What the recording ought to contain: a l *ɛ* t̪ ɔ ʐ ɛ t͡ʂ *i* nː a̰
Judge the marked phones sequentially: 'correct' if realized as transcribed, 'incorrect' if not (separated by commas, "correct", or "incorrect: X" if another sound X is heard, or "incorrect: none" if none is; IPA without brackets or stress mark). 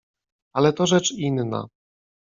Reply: correct, correct